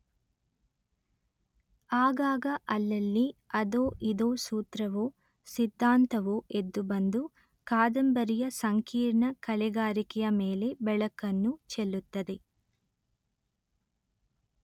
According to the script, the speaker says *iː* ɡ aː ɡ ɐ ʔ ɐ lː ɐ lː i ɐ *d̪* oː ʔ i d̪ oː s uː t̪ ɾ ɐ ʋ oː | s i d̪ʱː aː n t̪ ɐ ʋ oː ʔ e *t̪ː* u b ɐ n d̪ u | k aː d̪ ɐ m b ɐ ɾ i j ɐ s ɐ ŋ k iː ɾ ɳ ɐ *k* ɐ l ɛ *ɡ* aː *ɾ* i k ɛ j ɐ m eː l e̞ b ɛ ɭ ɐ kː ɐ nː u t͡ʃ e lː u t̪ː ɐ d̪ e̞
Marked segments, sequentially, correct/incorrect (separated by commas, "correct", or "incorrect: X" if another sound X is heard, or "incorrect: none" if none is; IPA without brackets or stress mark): incorrect: aː, correct, incorrect: d̪ː, correct, correct, correct